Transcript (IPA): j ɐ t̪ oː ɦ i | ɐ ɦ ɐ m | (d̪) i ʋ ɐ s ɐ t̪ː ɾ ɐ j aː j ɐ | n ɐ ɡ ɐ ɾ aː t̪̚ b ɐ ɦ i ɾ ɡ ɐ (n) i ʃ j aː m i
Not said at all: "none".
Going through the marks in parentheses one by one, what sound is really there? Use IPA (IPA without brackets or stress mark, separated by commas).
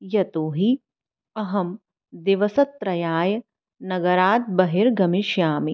d̪, m